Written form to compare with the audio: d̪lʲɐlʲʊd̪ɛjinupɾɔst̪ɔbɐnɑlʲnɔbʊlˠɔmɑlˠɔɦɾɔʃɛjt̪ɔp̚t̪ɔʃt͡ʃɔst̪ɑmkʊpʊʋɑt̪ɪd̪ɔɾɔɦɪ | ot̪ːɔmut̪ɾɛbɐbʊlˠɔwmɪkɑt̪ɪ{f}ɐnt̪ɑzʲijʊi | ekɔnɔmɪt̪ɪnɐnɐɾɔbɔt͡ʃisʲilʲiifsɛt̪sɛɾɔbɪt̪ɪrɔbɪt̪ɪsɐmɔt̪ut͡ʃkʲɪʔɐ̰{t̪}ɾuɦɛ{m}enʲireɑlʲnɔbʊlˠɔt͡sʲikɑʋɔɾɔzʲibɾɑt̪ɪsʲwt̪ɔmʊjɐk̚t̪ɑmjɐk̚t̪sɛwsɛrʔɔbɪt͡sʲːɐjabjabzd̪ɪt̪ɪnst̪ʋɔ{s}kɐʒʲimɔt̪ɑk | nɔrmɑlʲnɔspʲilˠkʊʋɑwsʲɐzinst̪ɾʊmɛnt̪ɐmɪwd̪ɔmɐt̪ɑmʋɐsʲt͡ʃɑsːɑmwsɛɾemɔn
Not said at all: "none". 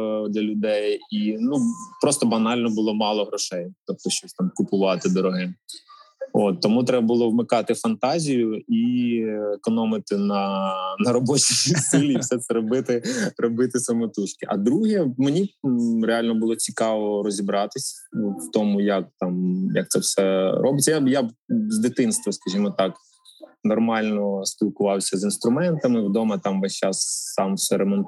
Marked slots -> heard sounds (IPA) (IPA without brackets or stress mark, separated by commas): f, d̪, m, s